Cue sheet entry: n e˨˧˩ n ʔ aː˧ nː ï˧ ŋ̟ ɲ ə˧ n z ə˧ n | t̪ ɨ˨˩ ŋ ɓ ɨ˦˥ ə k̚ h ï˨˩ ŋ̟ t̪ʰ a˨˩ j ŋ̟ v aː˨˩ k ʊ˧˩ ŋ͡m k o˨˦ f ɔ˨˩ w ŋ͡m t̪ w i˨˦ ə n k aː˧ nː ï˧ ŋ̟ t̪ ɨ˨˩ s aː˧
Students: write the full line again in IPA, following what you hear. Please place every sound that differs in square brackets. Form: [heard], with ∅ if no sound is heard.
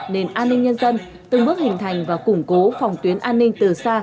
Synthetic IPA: n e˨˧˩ n ʔ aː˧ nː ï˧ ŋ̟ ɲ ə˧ n z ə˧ n | t̪ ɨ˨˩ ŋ ɓ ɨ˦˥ ə k̚ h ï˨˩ ŋ̟ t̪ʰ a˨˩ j ŋ̟ v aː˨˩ k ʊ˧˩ ŋ͡m k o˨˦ f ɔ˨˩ w ŋ͡m t̪ w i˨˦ ə n [ʔ] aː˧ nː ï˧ ŋ̟ t̪ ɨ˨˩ s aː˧

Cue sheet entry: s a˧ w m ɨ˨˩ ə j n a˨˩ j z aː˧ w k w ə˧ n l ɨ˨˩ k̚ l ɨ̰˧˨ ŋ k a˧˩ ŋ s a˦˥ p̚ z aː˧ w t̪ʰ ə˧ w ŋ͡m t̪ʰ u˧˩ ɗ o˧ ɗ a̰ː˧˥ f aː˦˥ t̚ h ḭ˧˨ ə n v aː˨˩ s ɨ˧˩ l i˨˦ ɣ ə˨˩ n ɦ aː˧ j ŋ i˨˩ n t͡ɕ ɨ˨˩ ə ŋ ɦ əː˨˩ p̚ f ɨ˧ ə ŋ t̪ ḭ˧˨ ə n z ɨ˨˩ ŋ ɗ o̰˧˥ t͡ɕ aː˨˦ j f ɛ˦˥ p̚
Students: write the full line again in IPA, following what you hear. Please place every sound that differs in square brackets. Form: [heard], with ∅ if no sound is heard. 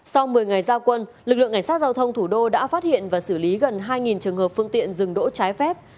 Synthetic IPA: s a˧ w m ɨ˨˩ ə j [ŋ] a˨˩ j z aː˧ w k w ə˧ n l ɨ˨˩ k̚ l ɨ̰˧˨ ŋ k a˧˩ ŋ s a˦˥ [t̚] z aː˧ w t̪ʰ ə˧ w ŋ͡m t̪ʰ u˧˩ ɗ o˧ ɗ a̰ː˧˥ f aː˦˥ t̚ h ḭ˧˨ ə n v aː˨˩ s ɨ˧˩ l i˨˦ ɣ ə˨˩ n ɦ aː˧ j ŋ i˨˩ n t͡ɕ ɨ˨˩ ə ŋ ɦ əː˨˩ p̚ f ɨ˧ ə ŋ t̪ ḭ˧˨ ə n z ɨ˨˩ ŋ ɗ o̰˧˥ t͡ɕ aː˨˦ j f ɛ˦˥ p̚

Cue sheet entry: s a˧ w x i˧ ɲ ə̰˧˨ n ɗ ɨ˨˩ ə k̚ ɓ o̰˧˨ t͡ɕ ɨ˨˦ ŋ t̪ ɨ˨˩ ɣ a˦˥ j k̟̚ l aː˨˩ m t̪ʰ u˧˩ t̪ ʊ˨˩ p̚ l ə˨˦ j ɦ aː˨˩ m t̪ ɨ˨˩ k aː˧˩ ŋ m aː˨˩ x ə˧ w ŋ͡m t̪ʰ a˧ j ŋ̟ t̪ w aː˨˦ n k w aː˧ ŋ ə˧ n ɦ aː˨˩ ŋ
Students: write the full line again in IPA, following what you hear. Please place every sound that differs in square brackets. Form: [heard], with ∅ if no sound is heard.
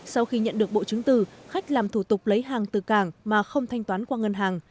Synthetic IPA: s a˧ w x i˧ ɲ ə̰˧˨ n ɗ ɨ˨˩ ə k̚ ɓ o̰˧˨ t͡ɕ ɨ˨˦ ŋ t̪ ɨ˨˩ [x] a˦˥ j k̟̚ l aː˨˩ m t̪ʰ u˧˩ t̪ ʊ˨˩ [k͡p̚] l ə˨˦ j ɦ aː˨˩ [ŋ] t̪ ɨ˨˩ k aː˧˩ ŋ m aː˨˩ x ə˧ w ŋ͡m t̪ʰ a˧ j ŋ̟ t̪ w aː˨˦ n k w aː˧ ŋ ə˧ n ɦ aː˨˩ ŋ

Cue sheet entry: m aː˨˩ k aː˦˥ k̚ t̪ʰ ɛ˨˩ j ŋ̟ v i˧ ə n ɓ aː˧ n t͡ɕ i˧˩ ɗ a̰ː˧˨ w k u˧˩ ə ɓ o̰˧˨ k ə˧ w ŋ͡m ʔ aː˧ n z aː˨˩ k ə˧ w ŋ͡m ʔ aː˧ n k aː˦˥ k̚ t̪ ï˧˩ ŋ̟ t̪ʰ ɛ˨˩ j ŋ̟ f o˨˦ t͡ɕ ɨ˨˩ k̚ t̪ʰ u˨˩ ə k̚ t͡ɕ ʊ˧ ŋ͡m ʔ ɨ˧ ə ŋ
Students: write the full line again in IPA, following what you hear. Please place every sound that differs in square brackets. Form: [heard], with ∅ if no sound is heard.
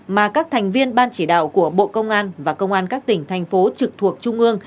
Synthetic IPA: m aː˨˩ k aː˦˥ k̚ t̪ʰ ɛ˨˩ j ŋ̟ v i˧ ə n ɓ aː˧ n t͡ɕ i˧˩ ɗ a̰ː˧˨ w k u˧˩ ə ɓ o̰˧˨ k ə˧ w ŋ͡m ʔ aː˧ n [v] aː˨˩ k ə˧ w ŋ͡m ʔ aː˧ n k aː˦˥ k̚ t̪ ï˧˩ ŋ̟ t̪ʰ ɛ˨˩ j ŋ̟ f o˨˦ t͡ɕ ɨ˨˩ k̚ t̪ʰ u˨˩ ə k̚ t͡ɕ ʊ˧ ŋ͡m ʔ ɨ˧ ə ŋ

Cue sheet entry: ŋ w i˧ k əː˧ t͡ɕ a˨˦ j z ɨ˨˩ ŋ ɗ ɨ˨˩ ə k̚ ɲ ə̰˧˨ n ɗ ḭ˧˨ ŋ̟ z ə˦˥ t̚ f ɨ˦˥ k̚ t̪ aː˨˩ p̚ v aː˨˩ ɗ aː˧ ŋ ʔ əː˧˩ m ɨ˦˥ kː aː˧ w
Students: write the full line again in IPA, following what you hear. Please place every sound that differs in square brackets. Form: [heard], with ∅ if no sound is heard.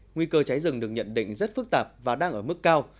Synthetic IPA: ŋ w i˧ k əː˧ t͡ɕ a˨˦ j z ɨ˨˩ ŋ ɗ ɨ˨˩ ə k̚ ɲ ə̰˧˨ n ɗ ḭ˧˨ ŋ̟ z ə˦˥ t̚ f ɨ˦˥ k̚ t̪ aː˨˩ p̚ v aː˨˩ ɗ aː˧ ŋ ʔ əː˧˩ m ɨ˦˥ kː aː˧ w

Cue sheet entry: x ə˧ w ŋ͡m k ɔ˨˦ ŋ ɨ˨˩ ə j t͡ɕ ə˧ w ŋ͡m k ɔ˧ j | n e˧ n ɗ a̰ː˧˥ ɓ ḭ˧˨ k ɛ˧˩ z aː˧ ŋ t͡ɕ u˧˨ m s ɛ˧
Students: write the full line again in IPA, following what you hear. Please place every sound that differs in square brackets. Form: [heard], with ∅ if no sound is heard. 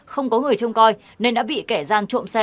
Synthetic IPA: x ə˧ w ŋ͡m k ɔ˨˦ ŋ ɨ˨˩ ə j t͡ɕ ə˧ w ŋ͡m k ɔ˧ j | n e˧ n ɗ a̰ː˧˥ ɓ ḭ˧˨ k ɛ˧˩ z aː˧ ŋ t͡ɕ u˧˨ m s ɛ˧

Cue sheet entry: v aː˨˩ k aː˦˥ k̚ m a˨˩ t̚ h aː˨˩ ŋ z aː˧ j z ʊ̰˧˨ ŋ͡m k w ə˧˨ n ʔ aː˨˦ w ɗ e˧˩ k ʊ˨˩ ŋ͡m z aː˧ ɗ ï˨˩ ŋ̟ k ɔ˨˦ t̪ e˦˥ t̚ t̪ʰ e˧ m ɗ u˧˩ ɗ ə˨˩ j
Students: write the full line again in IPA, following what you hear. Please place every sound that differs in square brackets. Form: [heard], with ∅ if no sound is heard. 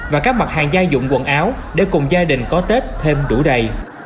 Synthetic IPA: v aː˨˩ k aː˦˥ k̚ m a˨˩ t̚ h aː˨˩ ŋ z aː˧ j z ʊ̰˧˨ ŋ͡m k w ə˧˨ n ʔ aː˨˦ w ɗ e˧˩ k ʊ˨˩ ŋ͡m z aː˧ ɗ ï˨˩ ŋ̟ k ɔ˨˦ t̪ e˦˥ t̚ t̪ʰ e˧ m ɗ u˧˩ ɗ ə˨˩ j

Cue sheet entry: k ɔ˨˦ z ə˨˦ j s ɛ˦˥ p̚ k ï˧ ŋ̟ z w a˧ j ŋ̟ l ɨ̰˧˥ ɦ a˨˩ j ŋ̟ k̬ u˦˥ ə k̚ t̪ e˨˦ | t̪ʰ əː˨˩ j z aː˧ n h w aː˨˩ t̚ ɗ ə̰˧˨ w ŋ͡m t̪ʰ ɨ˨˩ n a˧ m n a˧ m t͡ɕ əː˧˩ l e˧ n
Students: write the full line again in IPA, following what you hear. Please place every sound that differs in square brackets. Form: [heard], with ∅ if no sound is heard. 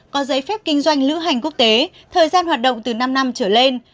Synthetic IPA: k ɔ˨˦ z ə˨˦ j [f] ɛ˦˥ p̚ k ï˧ ŋ̟ z w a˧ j ŋ̟ l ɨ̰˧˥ ɦ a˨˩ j ŋ̟ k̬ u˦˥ ə k̚ t̪ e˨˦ | t̪ʰ əː˨˩ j z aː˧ n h w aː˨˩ t̚ ɗ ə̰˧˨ w ŋ͡m [t̪] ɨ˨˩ n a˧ m n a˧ m t͡ɕ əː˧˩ l e˧ n

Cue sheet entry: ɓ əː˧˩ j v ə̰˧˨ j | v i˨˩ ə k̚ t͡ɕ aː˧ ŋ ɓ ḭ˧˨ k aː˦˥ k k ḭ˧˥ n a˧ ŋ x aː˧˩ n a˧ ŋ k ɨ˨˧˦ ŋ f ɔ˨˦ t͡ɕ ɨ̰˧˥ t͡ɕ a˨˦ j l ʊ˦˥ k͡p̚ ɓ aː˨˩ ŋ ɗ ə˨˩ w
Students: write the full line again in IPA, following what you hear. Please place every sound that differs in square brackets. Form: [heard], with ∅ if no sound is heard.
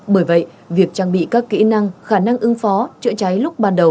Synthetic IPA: ɓ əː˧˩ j v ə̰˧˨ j | v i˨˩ ə k̚ t͡ɕ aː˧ ŋ ɓ ḭ˧˨ k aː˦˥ k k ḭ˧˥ n a˧ ŋ x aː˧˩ n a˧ ŋ [ʔ] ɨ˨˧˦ ŋ f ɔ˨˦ t͡ɕ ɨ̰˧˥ t͡ɕ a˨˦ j l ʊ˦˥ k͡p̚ ɓ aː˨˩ [n] ɗ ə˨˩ w

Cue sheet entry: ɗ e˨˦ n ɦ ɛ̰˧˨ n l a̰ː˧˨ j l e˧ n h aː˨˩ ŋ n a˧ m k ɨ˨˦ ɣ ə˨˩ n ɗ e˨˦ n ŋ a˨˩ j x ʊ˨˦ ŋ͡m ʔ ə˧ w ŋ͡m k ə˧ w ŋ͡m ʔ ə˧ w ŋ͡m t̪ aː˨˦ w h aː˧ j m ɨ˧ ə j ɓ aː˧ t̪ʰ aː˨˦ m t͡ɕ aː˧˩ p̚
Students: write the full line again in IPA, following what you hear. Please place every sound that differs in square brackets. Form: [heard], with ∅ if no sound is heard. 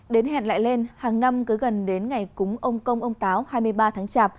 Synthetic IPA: ɗ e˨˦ n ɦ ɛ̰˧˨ n l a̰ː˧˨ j l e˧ n h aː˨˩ ŋ n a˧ m k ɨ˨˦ ɣ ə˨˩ n ɗ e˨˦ n ŋ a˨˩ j [k] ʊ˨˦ ŋ͡m ʔ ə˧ w ŋ͡m k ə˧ w ŋ͡m ʔ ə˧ w ŋ͡m t̪ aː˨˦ w h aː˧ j m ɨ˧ ə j ɓ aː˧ t̪ʰ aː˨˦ [ŋ] t͡ɕ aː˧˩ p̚

